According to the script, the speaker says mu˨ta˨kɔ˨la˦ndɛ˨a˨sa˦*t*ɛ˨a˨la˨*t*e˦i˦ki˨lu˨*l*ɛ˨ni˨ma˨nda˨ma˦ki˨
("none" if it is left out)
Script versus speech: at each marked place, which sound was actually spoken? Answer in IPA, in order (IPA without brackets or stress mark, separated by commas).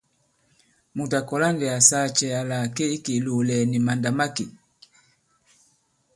t͡ʃ, k, l